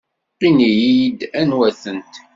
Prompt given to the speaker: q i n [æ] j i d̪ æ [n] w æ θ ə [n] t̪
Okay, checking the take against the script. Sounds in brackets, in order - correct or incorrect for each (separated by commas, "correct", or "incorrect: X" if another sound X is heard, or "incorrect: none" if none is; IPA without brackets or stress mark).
incorrect: i, correct, correct